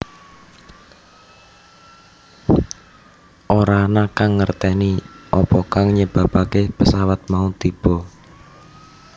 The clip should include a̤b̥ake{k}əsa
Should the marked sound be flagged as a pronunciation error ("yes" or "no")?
yes